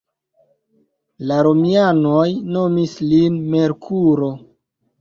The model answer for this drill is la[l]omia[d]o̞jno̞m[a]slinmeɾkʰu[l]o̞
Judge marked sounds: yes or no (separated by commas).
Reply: no, no, no, no